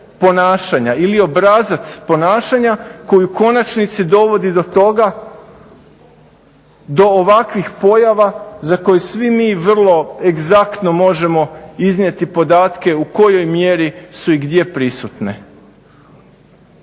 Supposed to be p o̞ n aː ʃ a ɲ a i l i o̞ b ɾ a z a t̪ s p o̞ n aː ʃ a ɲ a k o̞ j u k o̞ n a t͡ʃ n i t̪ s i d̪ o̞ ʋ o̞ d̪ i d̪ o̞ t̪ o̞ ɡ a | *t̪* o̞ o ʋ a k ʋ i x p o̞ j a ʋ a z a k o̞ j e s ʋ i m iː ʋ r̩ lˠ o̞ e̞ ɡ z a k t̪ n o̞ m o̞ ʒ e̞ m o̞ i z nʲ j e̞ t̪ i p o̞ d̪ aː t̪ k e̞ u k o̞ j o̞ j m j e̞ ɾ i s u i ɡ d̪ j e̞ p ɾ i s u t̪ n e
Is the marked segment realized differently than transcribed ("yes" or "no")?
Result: yes